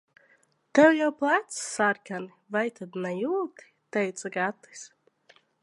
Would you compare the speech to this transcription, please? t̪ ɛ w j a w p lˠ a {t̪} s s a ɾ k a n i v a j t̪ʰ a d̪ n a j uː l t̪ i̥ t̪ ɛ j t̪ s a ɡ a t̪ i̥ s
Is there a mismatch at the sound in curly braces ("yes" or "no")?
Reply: no